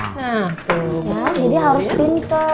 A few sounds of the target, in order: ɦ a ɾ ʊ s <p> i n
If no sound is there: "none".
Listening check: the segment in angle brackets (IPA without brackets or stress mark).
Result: p